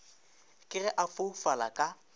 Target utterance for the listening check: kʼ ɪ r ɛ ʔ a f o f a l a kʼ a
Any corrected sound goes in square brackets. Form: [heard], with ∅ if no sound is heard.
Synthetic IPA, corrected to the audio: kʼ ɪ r ɛ ʔ a f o f a l a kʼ a